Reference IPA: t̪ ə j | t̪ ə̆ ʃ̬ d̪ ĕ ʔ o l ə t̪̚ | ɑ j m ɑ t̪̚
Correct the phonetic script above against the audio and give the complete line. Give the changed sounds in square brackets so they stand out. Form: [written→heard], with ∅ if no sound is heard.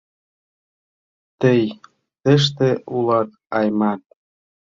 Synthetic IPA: t̪ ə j | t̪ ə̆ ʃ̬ [d̪→t̪] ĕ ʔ [o→u] l [ə→ɑ] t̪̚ | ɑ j m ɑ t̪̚